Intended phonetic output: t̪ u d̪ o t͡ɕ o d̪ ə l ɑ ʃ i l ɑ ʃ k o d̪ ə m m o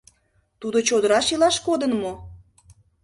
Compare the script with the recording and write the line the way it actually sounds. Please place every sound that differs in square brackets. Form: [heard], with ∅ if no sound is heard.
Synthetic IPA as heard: t̪ u d̪ o t͡ɕ o d̪ ə [ɾ] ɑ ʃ i l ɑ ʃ k o d̪ ə [n] m o